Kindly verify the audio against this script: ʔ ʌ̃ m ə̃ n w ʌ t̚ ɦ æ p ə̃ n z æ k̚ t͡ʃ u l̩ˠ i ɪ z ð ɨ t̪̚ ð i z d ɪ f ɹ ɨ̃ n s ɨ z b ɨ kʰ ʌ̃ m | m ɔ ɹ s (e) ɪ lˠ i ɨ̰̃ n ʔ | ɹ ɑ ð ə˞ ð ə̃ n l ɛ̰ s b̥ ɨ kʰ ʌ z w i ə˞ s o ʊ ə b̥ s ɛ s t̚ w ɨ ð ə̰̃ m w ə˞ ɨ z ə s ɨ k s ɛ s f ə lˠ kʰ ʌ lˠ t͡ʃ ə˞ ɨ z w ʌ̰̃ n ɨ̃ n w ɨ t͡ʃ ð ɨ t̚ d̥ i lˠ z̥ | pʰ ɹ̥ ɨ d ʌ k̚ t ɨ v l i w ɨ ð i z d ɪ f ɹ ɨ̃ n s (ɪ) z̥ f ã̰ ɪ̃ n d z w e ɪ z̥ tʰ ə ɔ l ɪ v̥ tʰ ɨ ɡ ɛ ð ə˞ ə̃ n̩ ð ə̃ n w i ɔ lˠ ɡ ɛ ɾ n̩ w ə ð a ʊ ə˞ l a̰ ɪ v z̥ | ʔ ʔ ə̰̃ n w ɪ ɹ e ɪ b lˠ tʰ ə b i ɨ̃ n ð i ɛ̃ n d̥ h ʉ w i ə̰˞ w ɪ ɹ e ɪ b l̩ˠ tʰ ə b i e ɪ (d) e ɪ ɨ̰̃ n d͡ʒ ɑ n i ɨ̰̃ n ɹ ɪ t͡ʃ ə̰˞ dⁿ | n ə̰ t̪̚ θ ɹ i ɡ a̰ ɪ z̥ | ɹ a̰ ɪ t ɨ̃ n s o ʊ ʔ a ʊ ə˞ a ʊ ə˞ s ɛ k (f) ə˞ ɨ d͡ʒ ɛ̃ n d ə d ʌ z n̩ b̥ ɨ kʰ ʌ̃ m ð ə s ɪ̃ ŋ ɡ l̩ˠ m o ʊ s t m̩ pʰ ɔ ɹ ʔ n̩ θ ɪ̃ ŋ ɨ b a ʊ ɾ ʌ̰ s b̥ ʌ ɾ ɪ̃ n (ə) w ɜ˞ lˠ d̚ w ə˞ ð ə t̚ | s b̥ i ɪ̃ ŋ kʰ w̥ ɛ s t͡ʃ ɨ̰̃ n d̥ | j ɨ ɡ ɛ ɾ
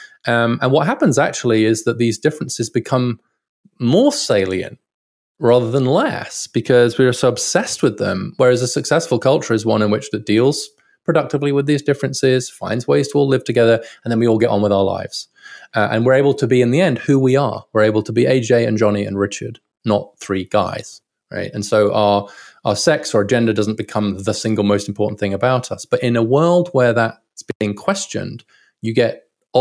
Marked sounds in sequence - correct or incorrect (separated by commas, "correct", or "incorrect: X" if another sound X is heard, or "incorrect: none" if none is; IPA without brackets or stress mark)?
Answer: correct, correct, incorrect: d͡ʒ, incorrect: s, correct